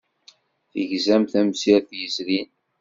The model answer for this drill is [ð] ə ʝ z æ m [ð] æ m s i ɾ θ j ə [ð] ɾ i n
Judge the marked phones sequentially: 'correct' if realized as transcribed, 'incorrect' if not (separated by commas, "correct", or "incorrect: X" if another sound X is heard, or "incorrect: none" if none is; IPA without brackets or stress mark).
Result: incorrect: θ, incorrect: θ, incorrect: z